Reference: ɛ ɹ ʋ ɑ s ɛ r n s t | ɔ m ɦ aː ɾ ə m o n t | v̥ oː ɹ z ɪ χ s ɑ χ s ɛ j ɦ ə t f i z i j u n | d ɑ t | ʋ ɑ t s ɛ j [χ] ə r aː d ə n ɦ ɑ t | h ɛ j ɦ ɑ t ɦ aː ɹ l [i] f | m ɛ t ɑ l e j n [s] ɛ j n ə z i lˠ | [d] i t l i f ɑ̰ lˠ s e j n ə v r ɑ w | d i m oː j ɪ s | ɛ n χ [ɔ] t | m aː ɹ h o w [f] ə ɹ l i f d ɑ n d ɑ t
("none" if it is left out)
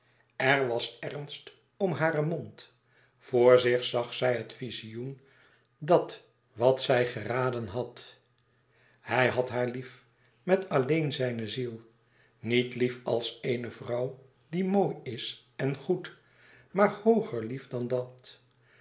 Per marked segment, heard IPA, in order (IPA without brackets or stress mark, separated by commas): χ, i, z, n, u, χ